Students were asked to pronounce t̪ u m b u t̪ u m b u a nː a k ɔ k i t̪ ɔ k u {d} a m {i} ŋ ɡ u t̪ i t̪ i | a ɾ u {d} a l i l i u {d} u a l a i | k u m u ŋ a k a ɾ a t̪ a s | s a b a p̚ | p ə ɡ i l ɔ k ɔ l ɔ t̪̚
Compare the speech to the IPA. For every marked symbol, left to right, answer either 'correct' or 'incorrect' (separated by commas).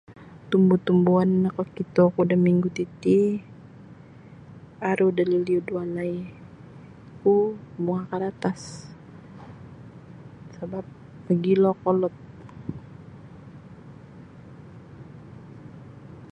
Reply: correct, correct, correct, correct